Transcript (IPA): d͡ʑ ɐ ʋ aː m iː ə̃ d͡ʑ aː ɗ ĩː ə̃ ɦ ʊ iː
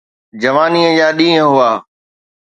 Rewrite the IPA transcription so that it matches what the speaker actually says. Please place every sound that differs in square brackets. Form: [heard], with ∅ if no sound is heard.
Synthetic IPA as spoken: d͡ʑ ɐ ʋ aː [n] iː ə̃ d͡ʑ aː ɗ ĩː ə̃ ɦ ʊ [aː]